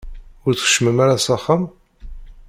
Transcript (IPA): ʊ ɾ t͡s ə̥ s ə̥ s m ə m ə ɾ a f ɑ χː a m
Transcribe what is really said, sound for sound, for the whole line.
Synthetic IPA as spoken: ʊ ɾ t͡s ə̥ χ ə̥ ʃ m ə m a ɾ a s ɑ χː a m